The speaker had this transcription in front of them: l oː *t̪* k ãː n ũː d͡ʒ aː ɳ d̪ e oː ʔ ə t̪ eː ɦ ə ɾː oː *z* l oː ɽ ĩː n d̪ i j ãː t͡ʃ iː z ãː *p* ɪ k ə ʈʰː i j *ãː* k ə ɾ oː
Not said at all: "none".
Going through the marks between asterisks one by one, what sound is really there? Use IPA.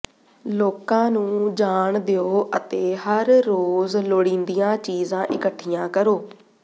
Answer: none, z, ʔ, ãː

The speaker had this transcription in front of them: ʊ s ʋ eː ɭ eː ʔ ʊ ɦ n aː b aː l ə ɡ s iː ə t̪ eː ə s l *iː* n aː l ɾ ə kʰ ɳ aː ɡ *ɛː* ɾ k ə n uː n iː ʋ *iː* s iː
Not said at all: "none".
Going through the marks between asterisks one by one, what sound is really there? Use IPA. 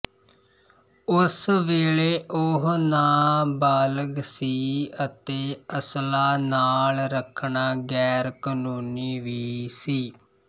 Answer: aː, ɛː, iː

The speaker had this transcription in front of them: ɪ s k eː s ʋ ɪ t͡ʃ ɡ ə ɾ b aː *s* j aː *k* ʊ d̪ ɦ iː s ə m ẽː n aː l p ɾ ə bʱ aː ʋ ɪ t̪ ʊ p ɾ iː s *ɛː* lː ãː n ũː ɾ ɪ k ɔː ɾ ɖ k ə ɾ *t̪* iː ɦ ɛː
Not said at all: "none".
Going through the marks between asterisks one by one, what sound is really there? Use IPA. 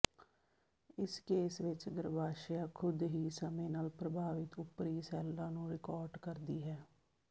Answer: ʃ, kʰ, ɛː, d̪

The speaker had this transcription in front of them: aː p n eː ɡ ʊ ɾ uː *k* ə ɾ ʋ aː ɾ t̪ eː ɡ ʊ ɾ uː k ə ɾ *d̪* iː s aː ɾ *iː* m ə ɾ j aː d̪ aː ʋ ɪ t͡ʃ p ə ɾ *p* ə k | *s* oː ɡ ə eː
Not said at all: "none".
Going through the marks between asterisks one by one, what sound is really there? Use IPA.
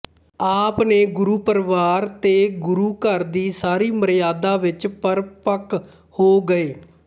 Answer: p, d̪, iː, p, h

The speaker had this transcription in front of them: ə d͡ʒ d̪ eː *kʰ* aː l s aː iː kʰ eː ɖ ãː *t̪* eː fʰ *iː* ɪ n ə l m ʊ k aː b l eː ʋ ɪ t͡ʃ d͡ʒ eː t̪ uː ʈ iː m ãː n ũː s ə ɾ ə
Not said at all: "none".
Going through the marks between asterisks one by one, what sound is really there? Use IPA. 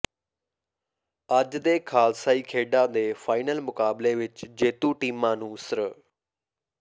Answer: kʰ, d̪, aː

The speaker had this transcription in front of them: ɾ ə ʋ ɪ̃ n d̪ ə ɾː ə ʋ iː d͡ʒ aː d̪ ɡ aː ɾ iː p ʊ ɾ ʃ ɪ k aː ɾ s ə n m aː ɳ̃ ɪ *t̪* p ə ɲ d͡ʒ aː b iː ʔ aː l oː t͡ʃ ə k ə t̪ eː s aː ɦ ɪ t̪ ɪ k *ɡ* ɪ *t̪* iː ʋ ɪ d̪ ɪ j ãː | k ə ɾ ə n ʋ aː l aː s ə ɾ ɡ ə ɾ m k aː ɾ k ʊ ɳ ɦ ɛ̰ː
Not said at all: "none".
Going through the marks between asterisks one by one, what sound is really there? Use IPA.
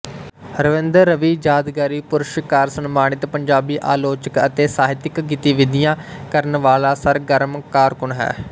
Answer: t̪, ɡ, t̪

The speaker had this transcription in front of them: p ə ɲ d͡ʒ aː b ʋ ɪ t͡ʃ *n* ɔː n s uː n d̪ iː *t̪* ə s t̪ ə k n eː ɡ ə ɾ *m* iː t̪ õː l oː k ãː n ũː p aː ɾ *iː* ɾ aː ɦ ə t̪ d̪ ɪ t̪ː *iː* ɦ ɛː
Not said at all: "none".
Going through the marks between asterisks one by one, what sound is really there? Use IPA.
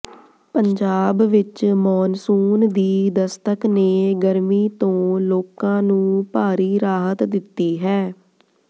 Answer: m, d̪, m, iː, iː

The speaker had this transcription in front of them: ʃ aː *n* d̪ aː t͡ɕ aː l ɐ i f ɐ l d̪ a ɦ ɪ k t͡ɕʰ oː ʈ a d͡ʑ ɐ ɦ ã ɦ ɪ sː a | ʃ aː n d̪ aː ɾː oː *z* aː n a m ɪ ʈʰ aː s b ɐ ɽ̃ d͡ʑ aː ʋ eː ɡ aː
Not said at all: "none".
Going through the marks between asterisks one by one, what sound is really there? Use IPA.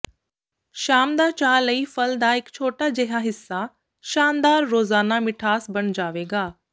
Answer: m, z

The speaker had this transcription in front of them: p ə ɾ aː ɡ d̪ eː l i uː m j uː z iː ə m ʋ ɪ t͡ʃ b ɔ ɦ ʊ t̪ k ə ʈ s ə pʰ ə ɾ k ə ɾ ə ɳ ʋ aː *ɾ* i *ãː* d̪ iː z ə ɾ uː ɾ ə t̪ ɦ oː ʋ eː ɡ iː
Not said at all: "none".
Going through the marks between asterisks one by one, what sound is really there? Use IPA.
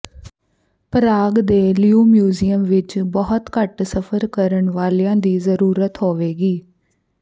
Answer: l, ãː

